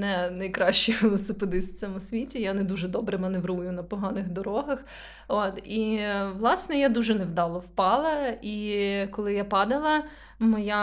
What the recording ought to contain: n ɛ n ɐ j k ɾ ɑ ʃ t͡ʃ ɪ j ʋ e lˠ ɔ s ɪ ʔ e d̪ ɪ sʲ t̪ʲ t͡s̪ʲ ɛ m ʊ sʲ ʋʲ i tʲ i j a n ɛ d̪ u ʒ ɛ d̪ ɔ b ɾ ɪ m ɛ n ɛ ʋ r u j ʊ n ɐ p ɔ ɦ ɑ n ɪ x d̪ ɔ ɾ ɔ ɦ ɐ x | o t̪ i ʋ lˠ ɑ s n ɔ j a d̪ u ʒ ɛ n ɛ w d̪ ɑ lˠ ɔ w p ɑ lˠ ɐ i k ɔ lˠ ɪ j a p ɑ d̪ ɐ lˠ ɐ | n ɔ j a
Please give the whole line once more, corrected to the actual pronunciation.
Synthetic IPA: n ɛ n ɐ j k ɾ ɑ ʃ t͡ʃ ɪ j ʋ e lˠ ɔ s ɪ p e d̪ ɪ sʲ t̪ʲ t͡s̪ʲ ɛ m ʊ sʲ ʋʲ i tʲ i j a n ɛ d̪ u ʒ ɛ d̪ ɔ b ɾ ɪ m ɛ n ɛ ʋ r u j ʊ n ɐ p ɔ ɦ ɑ n ɪ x d̪ ɔ ɾ ɔ ɦ ɐ x | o t̪ i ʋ lˠ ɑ s n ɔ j a d̪ u ʒ ɛ n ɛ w d̪ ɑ lˠ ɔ w p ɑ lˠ ɐ i k ɔ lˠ ɪ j a p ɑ d̪ ɐ lˠ ɐ | m ɔ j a